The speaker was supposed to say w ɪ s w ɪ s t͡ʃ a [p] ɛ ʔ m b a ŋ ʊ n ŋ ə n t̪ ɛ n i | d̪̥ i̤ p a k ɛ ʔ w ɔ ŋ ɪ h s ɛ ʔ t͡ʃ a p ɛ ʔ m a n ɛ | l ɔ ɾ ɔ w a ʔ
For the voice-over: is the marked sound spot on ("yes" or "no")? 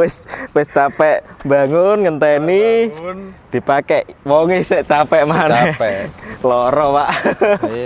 yes